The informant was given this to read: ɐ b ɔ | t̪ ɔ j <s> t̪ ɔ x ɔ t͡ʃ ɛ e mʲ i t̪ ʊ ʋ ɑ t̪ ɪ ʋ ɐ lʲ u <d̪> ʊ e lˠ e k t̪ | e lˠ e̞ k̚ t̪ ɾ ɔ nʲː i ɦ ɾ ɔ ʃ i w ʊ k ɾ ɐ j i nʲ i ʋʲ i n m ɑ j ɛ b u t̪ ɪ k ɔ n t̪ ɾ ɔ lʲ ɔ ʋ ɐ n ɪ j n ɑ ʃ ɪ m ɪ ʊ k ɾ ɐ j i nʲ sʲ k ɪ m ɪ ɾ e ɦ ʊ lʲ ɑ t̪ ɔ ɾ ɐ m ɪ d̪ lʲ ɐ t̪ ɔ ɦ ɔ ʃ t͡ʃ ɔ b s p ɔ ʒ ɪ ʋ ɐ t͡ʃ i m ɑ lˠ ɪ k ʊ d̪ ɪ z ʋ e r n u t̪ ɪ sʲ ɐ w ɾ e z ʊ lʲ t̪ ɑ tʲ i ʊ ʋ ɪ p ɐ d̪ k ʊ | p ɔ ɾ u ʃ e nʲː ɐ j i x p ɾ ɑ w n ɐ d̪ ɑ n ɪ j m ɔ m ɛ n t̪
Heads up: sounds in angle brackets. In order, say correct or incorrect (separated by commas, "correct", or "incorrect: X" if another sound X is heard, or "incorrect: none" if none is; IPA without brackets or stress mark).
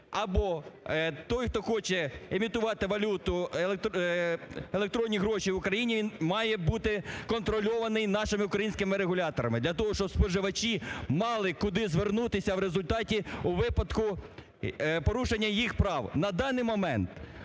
incorrect: x, incorrect: t̪